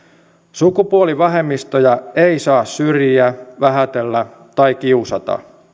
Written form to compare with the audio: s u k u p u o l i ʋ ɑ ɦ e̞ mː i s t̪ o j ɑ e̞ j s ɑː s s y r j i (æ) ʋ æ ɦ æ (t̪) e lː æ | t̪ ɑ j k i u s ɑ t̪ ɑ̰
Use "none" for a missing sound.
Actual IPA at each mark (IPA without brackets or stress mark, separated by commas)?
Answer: æ, t̪